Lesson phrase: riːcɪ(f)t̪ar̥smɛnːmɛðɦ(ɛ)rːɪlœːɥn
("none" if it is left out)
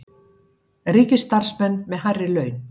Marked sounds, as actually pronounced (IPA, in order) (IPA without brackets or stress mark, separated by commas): s, a